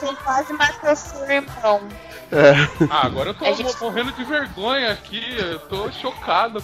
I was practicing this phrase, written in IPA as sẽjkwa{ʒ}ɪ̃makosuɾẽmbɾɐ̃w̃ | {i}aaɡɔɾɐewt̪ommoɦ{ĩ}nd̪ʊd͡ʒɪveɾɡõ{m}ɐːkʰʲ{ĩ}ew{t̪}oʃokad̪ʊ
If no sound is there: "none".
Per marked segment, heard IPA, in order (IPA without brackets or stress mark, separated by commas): z, ɛ, ẽ, ɲ, i, t̪